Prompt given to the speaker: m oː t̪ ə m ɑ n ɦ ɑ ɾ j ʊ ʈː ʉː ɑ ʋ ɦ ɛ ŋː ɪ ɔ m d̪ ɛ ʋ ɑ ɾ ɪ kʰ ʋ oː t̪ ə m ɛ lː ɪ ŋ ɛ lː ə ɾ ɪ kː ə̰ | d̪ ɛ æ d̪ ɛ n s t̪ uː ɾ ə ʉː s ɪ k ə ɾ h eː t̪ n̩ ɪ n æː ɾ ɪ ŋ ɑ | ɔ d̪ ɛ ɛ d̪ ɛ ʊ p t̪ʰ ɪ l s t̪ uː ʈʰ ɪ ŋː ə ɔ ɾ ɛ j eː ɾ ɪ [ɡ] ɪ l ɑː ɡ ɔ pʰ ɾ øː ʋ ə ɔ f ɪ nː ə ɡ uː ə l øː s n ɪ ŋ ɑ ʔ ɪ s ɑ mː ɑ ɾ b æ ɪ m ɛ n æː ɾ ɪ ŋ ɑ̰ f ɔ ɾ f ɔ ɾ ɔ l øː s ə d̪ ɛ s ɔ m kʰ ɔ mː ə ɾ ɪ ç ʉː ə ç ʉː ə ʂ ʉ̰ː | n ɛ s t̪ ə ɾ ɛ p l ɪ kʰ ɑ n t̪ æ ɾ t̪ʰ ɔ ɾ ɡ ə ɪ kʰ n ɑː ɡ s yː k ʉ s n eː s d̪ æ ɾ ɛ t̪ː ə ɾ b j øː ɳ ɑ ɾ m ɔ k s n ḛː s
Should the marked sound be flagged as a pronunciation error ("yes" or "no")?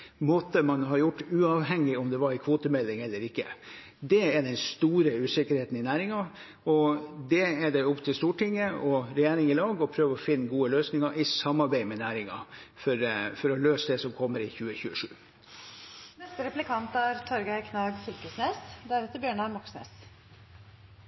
yes